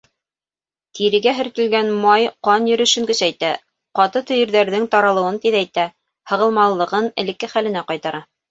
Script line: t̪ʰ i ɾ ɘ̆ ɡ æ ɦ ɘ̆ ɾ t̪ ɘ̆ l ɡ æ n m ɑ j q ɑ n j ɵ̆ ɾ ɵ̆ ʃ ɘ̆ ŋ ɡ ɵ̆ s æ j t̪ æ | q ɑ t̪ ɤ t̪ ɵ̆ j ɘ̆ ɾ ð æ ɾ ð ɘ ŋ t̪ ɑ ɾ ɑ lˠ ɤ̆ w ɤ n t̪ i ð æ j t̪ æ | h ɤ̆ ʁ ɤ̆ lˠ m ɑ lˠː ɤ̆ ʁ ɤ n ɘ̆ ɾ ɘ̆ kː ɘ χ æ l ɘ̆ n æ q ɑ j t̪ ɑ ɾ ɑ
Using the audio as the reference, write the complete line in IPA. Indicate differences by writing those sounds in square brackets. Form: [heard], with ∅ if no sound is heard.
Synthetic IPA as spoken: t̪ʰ i ɾ ɘ̆ ɡ æ ɦ ɘ̆ ɾ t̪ ɘ̆ l ɡ æ n m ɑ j q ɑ n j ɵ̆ ɾ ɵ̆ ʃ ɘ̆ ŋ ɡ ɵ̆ s æ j t̪ æ | q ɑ t̪ ɤ t̪ ɵ̆ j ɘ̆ ɾ ð æ ɾ ð ɘ ŋ t̪ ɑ ɾ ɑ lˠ ɤ̆ w ɤ n t̪ i ð æ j t̪ æ | h ɤ̆ ʁ ɤ̆ lˠ m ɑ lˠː ɤ̆ ʁ ɤ n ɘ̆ [l] ɘ̆ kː ɘ χ æ l ɘ̆ n æ q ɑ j t̪ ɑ ɾ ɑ